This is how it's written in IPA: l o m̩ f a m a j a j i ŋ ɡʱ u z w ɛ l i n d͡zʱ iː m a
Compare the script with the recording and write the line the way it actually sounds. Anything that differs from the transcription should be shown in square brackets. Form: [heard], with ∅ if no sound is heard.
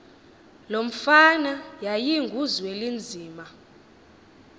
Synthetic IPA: l o m̩ f a [n] a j a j i ŋ ɡʱ u z w [e] l i n d͡zʱ iː m a